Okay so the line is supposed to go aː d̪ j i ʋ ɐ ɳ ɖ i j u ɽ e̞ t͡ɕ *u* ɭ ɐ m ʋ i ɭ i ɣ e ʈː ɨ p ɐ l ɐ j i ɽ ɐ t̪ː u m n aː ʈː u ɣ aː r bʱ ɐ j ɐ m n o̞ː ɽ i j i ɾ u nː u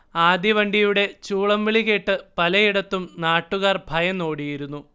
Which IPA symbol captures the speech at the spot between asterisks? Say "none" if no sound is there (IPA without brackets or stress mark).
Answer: uː